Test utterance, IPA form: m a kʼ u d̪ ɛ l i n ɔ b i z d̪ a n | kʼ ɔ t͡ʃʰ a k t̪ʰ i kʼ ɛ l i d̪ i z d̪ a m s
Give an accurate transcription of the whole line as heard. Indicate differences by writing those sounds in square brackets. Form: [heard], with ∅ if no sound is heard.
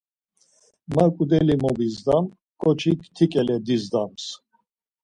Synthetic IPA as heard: m a kʼ u d̪ ɛ l i [m] ɔ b i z d̪ a [m] | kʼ ɔ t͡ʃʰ [i] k t̪ʰ i kʼ ɛ l [ɛ] d̪ i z d̪ a m s

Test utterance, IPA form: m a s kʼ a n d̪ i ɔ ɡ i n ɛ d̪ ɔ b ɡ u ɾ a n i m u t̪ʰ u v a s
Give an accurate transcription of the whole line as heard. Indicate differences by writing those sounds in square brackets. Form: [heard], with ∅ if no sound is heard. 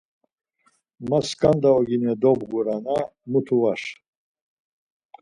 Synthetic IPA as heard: m a s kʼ a n d̪ [a] ɔ ɡ i n ɛ d̪ ɔ b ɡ u ɾ a n [a] m u t̪ʰ u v a [ʃ]

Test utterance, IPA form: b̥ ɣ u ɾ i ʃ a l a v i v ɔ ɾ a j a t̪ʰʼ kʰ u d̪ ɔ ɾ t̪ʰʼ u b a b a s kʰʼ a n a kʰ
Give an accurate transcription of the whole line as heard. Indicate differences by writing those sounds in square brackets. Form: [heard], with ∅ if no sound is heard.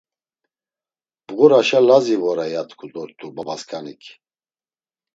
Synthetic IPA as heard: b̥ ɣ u ɾ [a] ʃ a l a [z] i v ɔ ɾ a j a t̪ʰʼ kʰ u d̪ ɔ ɾ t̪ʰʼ u b a b a s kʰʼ a n [i] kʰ

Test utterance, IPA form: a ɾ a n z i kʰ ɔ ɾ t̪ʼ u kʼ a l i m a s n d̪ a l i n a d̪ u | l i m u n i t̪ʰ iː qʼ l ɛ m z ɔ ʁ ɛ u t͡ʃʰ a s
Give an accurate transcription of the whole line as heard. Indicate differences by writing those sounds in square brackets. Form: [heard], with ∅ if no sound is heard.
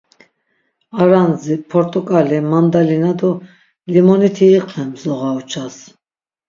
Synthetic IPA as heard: a ɾ a n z i [pʰ] ɔ ɾ t̪ʼ u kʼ a l i m a [∅] n d̪ a l i n a d̪ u | l i m [ɔ] n i t̪ʰ iː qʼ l ɛ m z ɔ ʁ [a] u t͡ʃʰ a s

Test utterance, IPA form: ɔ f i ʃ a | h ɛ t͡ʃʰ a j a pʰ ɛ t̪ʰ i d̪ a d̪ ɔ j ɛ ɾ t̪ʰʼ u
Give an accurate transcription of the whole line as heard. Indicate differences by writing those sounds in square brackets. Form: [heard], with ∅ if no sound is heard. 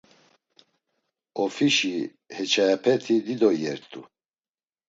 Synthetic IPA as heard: ɔ f i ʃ [i] | h ɛ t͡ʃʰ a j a pʰ ɛ t̪ʰ i d̪ [i] d̪ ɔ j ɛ ɾ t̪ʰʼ u

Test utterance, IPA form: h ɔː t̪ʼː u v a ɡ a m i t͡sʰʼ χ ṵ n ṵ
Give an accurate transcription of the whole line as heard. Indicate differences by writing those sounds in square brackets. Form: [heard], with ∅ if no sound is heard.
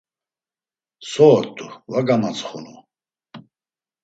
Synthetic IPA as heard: [s] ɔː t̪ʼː u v a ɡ a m [a] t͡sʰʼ χ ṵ n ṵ

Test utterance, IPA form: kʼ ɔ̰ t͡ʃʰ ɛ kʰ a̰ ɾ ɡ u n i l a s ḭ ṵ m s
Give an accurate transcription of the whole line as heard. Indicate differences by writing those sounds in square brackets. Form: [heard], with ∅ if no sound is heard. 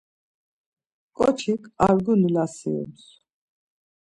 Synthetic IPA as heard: kʼ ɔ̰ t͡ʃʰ [i] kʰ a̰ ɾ ɡ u n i l a s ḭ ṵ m s

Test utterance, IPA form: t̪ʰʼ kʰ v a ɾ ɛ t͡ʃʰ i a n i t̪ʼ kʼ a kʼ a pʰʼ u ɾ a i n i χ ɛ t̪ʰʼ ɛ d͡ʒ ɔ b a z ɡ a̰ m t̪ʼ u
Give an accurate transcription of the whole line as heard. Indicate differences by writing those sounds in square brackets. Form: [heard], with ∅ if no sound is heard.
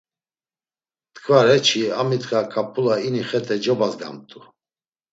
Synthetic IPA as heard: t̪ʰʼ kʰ v a ɾ ɛ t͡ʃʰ i a [m] i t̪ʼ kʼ a kʼ a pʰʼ u [l] a i n i χ ɛ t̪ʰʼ ɛ d͡ʒ ɔ b a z ɡ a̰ m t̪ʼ u

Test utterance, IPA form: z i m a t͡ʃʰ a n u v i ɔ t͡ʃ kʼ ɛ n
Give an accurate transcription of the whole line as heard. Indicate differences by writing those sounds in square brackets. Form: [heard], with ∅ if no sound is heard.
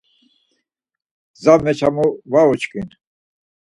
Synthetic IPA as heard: z [a] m [ɛ] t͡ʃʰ a [m] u v [a] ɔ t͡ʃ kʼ [i] n

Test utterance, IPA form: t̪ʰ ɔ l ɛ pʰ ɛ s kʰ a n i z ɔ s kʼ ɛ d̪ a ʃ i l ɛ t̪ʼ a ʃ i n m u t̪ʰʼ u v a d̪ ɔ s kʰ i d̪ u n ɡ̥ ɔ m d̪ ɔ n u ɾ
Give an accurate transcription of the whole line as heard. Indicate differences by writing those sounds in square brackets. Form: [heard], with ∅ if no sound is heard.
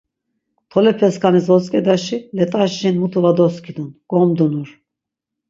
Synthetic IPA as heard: t̪ʰ ɔ l ɛ pʰ ɛ s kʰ a n i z ɔ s kʼ ɛ d̪ a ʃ i l ɛ t̪ʼ a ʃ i n m u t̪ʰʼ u v a d̪ ɔ s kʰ i d̪ u n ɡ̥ ɔ m d̪ [u] n u ɾ

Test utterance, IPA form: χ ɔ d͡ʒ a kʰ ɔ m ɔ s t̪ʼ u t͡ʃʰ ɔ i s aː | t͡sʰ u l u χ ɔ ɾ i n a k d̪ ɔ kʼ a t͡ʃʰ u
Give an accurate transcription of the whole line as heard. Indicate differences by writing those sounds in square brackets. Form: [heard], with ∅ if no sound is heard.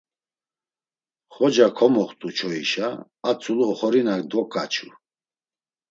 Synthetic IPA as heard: χ ɔ d͡ʒ a kʰ ɔ m ɔ [χ] t̪ʼ u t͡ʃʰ ɔ i [ʃ] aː | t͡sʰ u l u χ ɔ ɾ i n a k d̪ ɔ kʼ a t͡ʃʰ u

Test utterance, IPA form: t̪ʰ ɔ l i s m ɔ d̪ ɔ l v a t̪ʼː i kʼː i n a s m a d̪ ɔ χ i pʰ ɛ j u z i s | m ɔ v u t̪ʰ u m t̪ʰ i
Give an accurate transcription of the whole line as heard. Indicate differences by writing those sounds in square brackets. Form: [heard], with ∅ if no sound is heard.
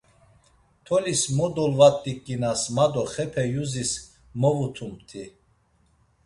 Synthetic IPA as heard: t̪ʰ ɔ l i s m ɔ d̪ ɔ l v a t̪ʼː i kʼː i n a s m a d̪ ɔ χ [ɛ] pʰ ɛ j u z i s | m ɔ v u t̪ʰ u m t̪ʰ i

